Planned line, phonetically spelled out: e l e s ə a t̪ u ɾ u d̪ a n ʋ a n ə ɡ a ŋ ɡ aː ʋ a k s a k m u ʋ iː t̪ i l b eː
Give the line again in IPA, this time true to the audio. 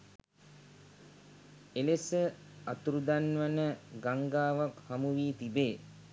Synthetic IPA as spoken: e l e s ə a t̪ u ɾ u d̪ a n ʋ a n ə ɡ a ŋ ɡ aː ʋ a k h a m u ʋ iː t̪ i b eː